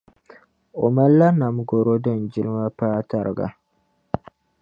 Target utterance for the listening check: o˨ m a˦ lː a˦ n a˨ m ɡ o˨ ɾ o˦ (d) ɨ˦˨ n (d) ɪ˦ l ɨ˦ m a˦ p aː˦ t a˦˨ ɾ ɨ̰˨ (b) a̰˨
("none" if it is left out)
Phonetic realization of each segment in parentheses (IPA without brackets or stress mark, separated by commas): d, d͡ʒ, ɡ